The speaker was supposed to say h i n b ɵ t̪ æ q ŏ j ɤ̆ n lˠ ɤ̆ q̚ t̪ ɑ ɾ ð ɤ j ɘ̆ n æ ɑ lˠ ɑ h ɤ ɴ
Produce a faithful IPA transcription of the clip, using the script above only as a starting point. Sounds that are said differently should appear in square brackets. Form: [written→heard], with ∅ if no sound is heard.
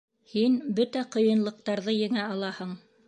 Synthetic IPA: h i n b ɵ t̪ æ q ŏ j ɤ̆ n lˠ ɤ̆ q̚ t̪ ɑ ɾ ð ɤ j ɘ̆ [n→ŋ] æ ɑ lˠ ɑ h ɤ ɴ